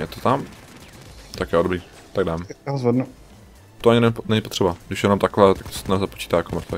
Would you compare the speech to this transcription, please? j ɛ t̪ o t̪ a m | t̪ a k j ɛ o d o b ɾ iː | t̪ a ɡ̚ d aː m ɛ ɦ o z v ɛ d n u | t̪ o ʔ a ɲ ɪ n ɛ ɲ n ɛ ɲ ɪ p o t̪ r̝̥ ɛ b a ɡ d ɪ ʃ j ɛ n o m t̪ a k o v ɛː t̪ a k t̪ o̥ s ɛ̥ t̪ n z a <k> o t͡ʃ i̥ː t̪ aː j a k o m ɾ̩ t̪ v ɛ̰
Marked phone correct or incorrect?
incorrect